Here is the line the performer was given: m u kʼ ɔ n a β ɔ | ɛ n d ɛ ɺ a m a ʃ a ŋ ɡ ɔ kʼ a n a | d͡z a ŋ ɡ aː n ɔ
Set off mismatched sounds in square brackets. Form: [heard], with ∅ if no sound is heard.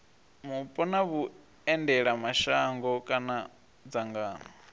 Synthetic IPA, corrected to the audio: m u [pʼ] ɔ n a β [u] | ɛ n d ɛ ɺ a m a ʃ a ŋ ɡ ɔ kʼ a n a | d͡z a ŋ ɡ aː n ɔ